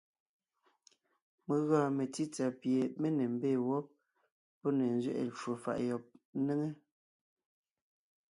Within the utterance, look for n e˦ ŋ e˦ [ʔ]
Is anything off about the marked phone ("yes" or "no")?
yes